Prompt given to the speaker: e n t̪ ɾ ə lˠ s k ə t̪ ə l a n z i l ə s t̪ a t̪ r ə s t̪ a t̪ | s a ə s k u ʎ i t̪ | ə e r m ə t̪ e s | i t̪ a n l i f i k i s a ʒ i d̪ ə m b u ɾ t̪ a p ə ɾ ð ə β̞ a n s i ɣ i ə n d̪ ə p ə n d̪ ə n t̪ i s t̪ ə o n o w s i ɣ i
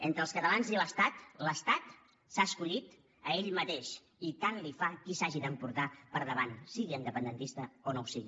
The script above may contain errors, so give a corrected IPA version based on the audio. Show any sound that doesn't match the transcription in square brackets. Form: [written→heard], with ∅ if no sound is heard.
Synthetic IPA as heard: e n t̪ ɾ ə lˠ s k ə t̪ ə l a n z i l ə s t̪ a t̪ [r→l] ə s t̪ a t̪ | s a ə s k u ʎ i t̪ | ə e [r→ʎ] m ə t̪ e [s→ʃ] | i t̪ a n l i f [i→a] k i s a ʒ i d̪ ə m [b→p] u ɾ t̪ a p ə ɾ ð ə β̞ a n s i ɣ i ə n d̪ ə p ə n d̪ ə n t̪ i s t̪ ə o n o w s i ɣ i